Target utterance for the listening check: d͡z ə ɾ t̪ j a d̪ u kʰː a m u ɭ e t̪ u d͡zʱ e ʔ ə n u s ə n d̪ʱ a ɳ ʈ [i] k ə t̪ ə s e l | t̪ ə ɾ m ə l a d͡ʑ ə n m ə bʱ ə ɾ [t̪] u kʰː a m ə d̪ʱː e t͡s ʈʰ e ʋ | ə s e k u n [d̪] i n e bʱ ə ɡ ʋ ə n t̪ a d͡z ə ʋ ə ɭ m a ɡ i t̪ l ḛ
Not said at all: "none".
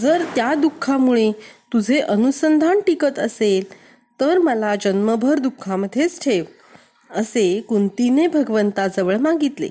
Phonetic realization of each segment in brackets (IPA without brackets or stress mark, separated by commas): i, d̪, t̪